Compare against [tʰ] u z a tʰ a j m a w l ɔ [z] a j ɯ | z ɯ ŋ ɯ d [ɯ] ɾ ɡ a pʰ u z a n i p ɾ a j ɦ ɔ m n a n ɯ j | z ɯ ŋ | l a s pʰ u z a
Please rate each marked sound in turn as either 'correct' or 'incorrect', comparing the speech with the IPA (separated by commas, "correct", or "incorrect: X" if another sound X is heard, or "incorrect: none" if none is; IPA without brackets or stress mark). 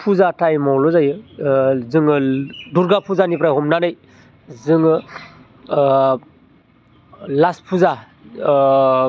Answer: incorrect: pʰ, correct, incorrect: u